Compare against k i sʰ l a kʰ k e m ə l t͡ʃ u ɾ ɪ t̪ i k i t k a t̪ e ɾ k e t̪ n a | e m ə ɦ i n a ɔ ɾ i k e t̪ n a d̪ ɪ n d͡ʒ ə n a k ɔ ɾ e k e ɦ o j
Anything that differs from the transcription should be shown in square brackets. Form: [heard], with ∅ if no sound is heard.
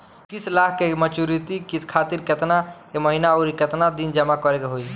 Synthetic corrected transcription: k i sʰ l a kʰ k e m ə [∅] t͡ʃ u ɾ [i] t̪ i k i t [kʰ] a t̪ [i] ɾ k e t̪ n a | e m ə ɦ i n a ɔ ɾ i k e t̪ n a d̪ [i] n d͡ʒ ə [m] a k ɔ ɾ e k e ɦ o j